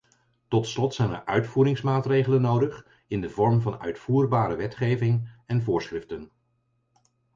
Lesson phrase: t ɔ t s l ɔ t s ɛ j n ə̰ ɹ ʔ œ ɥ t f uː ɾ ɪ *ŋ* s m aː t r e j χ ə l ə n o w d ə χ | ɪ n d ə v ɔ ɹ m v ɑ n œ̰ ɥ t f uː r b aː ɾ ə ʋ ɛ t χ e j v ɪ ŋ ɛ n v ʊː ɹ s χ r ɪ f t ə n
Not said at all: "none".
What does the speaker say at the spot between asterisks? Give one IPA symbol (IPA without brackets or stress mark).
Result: ŋ